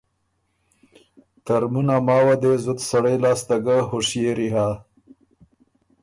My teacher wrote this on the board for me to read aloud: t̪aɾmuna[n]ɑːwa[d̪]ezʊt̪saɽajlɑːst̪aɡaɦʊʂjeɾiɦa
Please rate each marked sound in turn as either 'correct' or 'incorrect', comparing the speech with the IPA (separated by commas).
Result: incorrect, correct